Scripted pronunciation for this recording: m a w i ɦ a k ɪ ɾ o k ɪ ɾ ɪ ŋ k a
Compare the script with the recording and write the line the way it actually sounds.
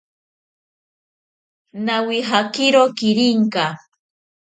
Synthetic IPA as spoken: n a w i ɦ a k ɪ ɾ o k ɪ ɾ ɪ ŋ k a